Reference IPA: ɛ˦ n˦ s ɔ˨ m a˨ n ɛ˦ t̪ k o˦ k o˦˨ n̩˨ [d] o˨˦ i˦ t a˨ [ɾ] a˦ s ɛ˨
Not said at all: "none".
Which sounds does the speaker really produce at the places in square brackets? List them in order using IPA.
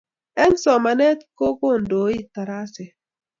d, ɾ

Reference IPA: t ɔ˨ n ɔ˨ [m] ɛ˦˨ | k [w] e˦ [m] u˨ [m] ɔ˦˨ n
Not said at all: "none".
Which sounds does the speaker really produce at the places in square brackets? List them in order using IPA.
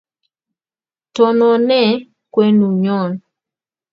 n, w, n, ɲ

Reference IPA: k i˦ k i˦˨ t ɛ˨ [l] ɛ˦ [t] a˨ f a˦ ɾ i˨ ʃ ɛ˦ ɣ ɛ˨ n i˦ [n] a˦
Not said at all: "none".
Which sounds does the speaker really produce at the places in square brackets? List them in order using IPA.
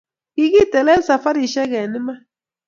l, s, m

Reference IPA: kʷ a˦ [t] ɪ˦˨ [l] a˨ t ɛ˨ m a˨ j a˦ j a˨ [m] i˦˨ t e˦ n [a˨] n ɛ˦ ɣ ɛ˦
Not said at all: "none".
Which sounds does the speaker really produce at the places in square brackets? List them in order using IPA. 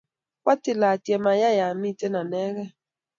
t, l, m, a˨

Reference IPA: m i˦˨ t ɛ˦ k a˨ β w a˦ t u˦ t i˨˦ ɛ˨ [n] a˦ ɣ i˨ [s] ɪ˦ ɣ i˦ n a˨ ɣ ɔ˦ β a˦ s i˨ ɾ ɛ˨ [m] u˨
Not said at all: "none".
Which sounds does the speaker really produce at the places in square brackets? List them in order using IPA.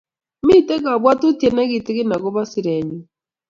n, t, ɲ

